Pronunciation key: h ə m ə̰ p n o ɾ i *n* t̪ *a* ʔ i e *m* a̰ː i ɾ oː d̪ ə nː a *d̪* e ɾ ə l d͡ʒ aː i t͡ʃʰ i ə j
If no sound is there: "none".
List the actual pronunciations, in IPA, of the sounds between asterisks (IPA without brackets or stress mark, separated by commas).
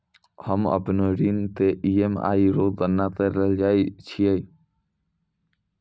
n, e, m, t̪